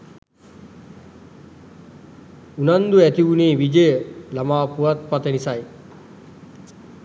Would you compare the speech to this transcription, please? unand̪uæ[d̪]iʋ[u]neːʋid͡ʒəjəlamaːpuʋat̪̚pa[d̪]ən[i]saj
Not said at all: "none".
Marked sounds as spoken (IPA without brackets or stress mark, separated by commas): t̪, u, t̪, i